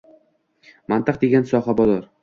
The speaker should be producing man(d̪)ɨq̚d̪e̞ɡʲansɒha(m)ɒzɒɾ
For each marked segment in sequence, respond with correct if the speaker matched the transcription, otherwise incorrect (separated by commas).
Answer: incorrect, incorrect